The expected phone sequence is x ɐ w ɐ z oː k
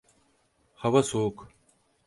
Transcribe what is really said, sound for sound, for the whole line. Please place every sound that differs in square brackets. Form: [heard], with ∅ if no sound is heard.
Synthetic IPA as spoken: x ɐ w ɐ [s] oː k